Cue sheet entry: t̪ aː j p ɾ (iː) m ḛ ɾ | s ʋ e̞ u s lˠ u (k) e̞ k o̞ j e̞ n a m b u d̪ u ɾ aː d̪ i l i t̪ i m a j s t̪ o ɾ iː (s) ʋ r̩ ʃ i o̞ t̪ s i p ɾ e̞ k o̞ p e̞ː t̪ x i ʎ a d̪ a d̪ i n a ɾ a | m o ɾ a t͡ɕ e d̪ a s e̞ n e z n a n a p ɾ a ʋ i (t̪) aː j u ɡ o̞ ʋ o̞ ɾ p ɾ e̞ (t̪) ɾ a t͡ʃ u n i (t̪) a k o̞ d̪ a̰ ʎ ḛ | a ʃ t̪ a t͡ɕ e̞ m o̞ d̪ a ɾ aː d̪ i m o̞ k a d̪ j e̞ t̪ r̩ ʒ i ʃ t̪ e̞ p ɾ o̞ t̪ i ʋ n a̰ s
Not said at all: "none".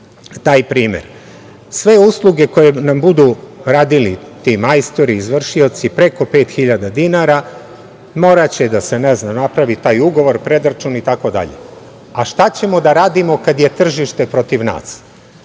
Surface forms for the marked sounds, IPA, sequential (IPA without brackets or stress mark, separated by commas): iː, ɡ, z, t̪, d̪, t̪